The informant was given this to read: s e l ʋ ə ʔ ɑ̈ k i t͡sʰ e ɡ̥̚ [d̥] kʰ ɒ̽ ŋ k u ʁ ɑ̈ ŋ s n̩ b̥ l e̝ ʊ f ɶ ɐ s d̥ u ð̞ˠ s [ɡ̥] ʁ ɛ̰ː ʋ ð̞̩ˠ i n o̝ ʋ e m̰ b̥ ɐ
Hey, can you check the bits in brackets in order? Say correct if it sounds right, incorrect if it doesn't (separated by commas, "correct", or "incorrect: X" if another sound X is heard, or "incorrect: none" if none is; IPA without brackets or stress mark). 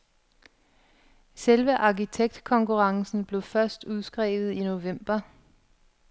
correct, correct